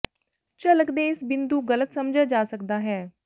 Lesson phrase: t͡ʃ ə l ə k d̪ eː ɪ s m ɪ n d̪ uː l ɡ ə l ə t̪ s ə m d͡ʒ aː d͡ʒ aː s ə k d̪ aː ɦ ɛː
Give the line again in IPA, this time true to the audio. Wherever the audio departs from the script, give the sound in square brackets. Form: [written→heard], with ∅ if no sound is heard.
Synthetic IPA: t͡ʃ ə l ə k d̪ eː ɪ s [m→b] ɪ n d̪ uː [l→∅] ɡ ə l ə t̪ s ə m d͡ʒ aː d͡ʒ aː s ə k d̪ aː ɦ ɛː